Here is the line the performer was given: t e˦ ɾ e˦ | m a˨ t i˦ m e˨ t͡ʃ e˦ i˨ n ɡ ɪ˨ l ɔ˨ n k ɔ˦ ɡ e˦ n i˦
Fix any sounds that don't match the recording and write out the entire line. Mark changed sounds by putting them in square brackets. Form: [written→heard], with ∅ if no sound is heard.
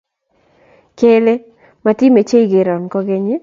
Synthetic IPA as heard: [t→k] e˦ [ɾ→l] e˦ | m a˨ t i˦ m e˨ t͡ʃ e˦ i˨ [n→∅] ɡ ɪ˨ [l→ɾ] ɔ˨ n k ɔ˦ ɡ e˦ [n→ɲ] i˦